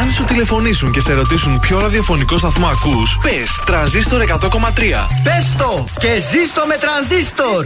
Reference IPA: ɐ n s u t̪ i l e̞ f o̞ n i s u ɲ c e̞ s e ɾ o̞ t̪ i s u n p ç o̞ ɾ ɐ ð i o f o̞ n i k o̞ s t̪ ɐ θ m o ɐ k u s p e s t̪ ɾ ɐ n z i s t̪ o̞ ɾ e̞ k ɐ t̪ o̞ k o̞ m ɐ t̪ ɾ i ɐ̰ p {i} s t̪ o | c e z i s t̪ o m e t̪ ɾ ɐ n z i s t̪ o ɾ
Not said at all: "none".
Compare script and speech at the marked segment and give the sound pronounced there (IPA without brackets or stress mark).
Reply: e